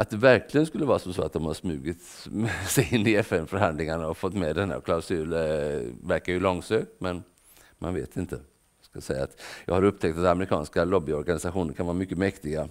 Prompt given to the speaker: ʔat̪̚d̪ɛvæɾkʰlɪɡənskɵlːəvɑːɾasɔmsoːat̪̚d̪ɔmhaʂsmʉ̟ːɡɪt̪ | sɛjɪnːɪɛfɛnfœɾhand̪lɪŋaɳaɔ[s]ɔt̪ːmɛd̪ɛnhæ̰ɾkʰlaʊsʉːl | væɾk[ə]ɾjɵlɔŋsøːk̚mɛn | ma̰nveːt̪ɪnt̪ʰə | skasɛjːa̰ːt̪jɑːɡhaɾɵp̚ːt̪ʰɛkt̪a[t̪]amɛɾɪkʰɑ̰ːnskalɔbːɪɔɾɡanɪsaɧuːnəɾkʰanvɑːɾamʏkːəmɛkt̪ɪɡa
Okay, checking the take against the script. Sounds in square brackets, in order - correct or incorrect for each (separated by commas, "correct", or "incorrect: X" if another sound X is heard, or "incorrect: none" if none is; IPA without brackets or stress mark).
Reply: incorrect: f, incorrect: a, correct